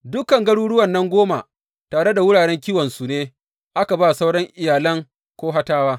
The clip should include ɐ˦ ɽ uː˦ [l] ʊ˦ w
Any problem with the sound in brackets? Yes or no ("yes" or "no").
yes